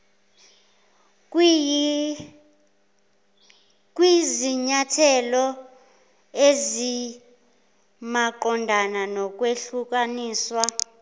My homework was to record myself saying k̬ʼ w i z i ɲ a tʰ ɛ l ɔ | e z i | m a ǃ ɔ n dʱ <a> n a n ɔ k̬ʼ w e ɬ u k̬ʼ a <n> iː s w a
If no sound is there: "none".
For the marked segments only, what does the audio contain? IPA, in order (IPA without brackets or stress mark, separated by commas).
a, n